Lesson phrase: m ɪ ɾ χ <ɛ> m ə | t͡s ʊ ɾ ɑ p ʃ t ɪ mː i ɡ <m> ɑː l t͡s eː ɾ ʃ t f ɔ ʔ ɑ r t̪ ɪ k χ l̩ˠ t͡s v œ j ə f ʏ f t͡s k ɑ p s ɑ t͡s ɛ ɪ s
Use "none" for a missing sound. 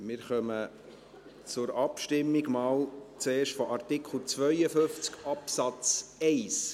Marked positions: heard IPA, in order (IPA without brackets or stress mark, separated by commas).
œ, m